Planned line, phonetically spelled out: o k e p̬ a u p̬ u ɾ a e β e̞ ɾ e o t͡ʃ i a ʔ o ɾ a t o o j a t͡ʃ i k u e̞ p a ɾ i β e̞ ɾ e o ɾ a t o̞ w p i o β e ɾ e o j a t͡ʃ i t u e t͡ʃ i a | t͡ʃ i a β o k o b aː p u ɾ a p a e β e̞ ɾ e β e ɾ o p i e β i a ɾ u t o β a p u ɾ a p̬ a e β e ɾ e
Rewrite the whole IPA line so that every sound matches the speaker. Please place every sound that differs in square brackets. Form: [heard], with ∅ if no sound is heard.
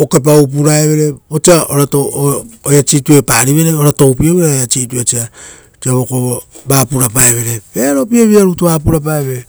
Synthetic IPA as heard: o k e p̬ a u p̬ u ɾ a e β e̞ ɾ e o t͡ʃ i a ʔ o ɾ a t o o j a t͡ʃ i [t] u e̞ p a ɾ i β e̞ ɾ e o ɾ a t o̞ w p i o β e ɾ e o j a t͡ʃ i t u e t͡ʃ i a | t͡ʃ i a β o k o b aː p u ɾ a p a e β e̞ ɾ e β e ɾ o p i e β i a ɾ u t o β a p u ɾ a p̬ a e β e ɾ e